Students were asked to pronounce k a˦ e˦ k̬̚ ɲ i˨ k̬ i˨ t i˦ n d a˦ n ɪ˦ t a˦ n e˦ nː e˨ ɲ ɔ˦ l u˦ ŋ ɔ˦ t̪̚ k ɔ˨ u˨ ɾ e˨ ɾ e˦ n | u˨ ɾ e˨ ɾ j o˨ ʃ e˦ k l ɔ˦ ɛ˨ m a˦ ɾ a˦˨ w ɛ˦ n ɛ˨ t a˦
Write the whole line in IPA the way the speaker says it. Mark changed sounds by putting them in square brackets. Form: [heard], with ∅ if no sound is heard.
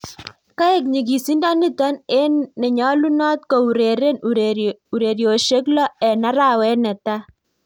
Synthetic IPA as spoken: k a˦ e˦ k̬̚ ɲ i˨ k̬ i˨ [s] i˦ n d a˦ n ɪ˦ t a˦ n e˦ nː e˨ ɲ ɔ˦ l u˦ [n] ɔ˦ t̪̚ k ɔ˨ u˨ ɾ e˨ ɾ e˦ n | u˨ ɾ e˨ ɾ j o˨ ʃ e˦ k l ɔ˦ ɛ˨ [n] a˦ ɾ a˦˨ w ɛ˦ n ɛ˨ t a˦